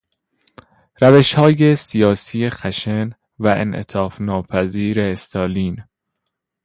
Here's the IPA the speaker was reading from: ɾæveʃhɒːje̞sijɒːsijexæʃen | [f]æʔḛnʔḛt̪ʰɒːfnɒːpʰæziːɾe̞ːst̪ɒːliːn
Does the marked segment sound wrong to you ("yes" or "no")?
yes